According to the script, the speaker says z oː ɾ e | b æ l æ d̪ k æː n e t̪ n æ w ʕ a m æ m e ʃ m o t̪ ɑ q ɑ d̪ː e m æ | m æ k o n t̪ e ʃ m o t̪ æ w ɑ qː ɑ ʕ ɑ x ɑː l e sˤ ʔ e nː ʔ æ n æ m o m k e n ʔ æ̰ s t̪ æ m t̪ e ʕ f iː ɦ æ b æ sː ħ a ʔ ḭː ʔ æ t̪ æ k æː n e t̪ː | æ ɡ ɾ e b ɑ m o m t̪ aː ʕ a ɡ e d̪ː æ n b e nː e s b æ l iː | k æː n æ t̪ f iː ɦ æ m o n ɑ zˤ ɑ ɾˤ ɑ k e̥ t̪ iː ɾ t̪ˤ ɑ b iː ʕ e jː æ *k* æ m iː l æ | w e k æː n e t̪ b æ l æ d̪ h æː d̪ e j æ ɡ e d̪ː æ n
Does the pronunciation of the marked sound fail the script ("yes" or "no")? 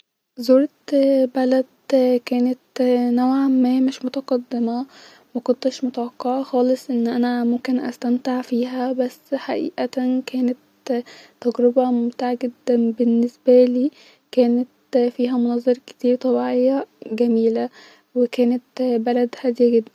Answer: yes